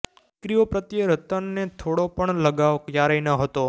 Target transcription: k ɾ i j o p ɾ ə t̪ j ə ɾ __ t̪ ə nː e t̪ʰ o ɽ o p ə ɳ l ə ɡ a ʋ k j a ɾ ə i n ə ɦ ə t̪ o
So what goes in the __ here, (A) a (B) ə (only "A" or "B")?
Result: B